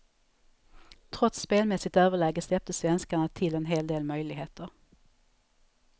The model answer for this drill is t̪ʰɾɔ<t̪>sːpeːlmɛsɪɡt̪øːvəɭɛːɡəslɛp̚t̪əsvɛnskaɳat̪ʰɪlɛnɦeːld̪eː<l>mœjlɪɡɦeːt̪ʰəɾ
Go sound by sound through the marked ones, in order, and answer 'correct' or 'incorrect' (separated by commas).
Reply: correct, correct